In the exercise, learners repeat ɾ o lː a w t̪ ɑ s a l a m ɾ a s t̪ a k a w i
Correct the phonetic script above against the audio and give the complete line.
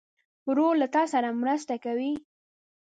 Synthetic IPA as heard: ɾ o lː a t̪ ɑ s a ɾ a m ɾ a s t̪ a k a w i